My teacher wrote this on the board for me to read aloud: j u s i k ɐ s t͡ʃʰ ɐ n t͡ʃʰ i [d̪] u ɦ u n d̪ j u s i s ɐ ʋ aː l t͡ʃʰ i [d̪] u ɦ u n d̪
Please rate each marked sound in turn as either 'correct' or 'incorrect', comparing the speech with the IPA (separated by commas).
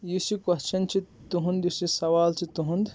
incorrect, incorrect